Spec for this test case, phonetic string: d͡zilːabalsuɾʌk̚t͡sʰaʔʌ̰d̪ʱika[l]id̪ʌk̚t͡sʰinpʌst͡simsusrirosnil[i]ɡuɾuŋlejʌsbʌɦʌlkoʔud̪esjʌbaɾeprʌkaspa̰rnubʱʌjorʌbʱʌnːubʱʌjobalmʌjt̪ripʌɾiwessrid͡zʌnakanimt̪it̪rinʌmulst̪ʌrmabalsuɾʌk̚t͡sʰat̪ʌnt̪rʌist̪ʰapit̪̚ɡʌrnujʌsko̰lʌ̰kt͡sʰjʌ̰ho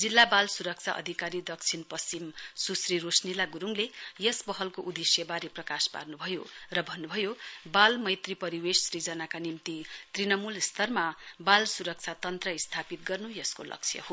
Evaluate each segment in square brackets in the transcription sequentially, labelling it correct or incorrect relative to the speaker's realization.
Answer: incorrect: ɾ, incorrect: a

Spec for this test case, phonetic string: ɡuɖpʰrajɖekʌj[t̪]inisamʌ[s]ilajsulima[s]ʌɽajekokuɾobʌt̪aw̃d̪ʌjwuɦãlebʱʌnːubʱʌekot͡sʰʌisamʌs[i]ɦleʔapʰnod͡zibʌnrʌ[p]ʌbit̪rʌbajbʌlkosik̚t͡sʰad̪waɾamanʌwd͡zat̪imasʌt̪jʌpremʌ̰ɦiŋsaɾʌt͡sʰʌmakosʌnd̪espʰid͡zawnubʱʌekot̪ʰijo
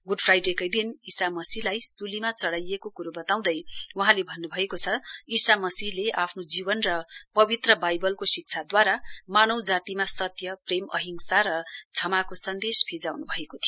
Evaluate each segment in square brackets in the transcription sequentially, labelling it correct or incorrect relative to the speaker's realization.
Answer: incorrect: d̪, correct, incorrect: t͡s, correct, correct

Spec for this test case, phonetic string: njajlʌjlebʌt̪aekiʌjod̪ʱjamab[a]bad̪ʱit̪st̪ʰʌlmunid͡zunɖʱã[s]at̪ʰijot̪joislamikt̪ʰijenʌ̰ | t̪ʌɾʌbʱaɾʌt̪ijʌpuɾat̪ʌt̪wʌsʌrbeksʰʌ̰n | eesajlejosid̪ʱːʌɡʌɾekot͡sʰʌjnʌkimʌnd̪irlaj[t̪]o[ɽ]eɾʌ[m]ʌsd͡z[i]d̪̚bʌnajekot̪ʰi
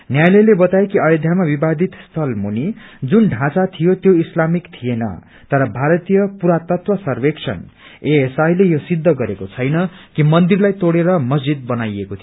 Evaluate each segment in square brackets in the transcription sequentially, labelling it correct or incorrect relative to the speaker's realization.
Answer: incorrect: i, incorrect: t͡s, correct, correct, correct, correct

